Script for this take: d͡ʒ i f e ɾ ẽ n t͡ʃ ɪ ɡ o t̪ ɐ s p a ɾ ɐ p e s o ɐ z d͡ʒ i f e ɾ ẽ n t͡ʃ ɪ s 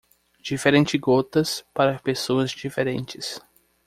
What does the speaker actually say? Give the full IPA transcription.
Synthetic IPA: d͡ʒ i f e ɾ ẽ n t͡ʃ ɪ ɡ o t̪ ɐ s p a ɾ ɐ p e s o ɐ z d͡ʒ i f e ɾ ẽ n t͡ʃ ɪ s